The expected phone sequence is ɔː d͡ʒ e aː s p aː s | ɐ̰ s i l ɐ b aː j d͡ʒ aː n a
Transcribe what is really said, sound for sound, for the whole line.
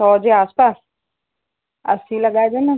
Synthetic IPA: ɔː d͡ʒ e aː s p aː s | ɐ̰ s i l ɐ ɡ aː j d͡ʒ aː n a